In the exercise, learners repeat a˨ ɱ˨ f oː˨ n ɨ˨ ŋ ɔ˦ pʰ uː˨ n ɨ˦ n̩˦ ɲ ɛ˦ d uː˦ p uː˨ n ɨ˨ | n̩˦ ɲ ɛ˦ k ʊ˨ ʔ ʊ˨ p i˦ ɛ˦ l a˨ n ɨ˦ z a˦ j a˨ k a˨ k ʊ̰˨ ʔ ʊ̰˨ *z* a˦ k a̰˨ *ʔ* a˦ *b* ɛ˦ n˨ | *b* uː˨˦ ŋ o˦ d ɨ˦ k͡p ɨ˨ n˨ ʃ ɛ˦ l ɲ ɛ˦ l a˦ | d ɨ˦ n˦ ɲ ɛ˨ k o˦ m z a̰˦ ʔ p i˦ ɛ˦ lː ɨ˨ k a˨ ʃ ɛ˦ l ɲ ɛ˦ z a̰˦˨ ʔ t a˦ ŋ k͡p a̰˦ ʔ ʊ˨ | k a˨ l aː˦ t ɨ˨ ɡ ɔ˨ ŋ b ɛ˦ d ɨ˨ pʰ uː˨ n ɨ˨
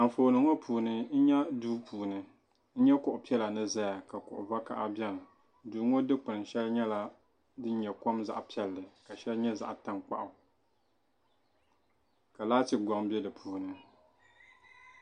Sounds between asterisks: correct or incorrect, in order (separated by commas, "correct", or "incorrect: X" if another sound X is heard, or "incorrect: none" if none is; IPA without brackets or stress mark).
incorrect: v, correct, correct, incorrect: d